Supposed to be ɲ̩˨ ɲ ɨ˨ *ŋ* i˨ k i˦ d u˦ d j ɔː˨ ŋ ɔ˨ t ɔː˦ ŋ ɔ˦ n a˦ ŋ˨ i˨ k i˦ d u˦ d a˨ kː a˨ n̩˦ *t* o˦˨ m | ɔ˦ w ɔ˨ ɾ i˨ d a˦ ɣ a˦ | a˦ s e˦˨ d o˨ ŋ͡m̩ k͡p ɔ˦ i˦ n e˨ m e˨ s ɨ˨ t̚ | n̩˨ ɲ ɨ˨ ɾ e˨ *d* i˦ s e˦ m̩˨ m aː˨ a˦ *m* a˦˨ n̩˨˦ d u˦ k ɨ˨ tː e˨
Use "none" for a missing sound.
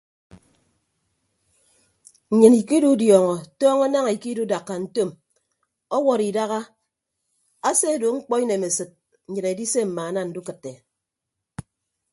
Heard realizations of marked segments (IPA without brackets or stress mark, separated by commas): n, t, d, n